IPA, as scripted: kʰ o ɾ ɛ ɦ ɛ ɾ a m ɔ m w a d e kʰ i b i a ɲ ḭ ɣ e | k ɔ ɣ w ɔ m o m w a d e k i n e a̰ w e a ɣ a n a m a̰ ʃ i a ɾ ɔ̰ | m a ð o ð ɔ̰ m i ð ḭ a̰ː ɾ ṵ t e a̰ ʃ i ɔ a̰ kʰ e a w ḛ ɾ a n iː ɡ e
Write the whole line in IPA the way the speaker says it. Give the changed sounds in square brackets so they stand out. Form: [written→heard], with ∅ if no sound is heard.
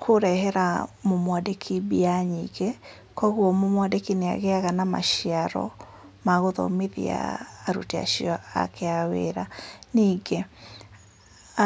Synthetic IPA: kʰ o ɾ ɛ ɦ ɛ ɾ a m [ɔ→o] m w a d e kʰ i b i a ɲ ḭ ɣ e | k ɔ ɣ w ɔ m o m w a d e k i n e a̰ [w→ɣ] e a ɣ a n a m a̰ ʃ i a ɾ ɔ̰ | m a [ð→ɣ] o ð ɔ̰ m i ð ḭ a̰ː ɾ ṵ t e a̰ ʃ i ɔ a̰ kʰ e a w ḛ ɾ a n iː ɡ e